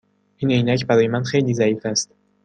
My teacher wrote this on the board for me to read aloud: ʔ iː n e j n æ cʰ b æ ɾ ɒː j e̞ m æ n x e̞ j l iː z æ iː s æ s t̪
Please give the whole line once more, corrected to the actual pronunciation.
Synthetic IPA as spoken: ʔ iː n e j n æ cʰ b æ ɾ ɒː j e̞ m æ n x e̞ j l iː z æ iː f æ s t̪